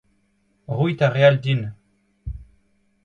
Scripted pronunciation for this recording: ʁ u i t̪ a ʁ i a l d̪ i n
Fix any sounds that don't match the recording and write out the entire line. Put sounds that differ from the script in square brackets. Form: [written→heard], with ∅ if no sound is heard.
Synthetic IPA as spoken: ʁ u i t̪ a ʁ [i→e] a l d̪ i n